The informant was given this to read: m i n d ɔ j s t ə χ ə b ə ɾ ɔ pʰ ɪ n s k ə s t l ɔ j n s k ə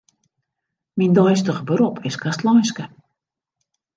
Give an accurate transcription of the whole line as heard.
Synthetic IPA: m i n d ɔ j s t ə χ ə b ə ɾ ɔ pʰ ɪ s k a s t l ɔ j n s k ə

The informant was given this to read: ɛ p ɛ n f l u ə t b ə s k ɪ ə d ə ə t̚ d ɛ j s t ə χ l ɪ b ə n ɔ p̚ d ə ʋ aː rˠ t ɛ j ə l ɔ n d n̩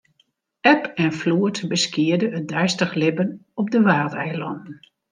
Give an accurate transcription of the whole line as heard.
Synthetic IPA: ɛ p ɛ n f l u ə t b ə s k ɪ ə d ə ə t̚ d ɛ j s t ə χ l ɪ b ə n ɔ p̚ d ə ʋ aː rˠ t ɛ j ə l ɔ n d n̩

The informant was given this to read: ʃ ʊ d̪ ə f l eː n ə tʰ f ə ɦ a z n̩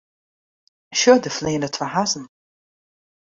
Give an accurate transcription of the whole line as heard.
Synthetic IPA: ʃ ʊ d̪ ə f l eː n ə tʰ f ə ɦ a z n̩

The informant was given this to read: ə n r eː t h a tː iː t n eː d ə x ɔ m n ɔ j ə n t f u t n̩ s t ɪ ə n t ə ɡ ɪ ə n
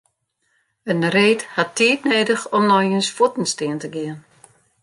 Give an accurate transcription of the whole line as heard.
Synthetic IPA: ə n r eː t h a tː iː t n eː d ə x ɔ m n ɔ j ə n s f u t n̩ s t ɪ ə n t ə ɡ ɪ ə n

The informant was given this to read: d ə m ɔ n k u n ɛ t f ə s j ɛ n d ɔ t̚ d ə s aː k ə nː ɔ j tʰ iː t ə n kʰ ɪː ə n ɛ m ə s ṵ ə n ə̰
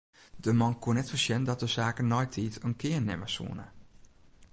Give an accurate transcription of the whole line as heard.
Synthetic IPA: d ə m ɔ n k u n ɛ t f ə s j ɛ n d ɔ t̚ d ə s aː k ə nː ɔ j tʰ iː t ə n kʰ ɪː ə n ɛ m ə s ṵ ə n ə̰

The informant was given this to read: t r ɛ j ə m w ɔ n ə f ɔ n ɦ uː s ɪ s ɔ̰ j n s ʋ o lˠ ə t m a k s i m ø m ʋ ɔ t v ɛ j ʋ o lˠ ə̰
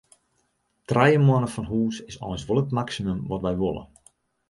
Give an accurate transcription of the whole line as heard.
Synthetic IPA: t r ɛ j ə m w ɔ n ə f ɔ n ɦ uː s ɪ s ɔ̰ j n s ʋ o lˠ ə t m a k s i m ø m ʋ ɔ t ʋ ɛ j ʋ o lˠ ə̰

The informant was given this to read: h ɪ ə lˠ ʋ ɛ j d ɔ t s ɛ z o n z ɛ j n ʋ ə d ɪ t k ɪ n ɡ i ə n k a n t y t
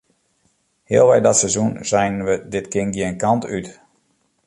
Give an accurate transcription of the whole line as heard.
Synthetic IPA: h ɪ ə lˠ ʋ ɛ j d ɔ t s ɛ z u n z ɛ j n ʋ ə d ɪ t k ɪ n ɡ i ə n k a n t y t

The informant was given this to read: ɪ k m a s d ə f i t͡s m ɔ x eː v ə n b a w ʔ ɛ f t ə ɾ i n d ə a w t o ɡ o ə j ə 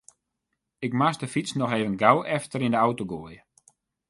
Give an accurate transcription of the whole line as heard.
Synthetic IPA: ɪ k m a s d ə f i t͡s n ɔ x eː v ə n ɡ a w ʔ ɛ f t ə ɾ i n d ə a w t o ɡ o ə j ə

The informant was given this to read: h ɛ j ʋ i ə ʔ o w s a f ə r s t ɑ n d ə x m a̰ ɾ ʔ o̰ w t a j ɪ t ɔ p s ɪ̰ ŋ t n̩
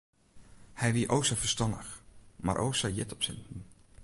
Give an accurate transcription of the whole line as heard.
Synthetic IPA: h ɛ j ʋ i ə ʔ o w s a f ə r s t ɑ n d ə x m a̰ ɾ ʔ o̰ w s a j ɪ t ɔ p s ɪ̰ n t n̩

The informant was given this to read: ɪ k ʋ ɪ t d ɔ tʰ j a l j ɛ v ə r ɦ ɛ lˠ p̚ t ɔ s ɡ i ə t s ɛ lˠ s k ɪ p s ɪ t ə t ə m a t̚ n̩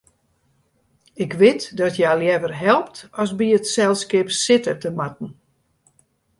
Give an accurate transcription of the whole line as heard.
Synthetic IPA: ɪ k ʋ ɪ t d ɔ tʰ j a l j ɛ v ə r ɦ ɛ lˠ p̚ t ɔ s b i ə t s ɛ lˠ s k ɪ p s ɪ t ə t ə m a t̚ n̩

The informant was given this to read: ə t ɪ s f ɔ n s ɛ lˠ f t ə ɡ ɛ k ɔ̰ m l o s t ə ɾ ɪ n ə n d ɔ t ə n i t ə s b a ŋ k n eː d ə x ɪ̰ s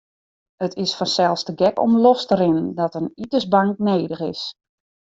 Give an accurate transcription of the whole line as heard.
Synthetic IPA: ə t ɪ s f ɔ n s ɛ lˠ s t ə ɡ ɛ k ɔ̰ m l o s t ə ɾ ɪ n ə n d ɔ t ə n i t ə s b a ŋ k n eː d ə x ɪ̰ s

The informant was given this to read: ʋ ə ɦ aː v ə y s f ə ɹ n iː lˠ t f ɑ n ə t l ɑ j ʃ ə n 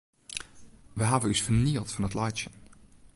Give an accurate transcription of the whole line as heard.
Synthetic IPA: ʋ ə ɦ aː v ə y s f ə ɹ n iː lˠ t f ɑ n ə t l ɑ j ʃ ə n

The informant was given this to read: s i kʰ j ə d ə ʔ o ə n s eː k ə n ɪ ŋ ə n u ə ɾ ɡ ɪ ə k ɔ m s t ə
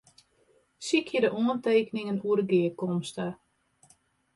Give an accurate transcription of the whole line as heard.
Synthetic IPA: s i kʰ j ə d ə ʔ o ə n t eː k ə n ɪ ŋ ə n u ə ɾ ɡ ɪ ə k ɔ m s t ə

